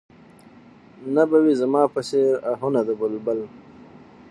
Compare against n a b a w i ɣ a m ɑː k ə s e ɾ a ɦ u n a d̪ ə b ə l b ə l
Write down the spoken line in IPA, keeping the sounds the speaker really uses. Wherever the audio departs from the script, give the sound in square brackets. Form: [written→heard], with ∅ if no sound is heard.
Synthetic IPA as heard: n a b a w i [ɣ→z] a m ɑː [k→p] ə s e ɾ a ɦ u n a d̪ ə b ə l b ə l